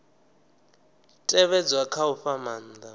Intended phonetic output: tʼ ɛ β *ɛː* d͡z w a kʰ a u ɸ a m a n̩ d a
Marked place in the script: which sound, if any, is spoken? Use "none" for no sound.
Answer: ɛ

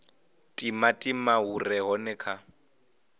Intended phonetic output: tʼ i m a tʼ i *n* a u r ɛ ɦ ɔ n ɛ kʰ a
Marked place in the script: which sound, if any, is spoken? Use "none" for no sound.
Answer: m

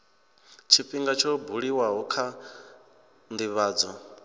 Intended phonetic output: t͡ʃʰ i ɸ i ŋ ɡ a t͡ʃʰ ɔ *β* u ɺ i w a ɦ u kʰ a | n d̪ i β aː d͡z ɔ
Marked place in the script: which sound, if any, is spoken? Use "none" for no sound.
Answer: b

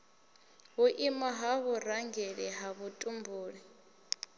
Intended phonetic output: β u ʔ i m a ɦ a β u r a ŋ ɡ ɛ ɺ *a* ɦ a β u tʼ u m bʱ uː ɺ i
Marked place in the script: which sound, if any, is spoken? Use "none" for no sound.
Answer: ɛ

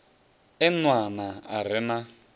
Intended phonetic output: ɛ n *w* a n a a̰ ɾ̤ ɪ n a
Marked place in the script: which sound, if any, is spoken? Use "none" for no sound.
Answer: w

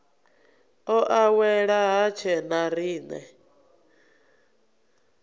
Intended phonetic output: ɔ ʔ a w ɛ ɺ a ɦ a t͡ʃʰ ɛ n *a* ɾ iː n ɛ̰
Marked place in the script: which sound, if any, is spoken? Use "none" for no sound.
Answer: a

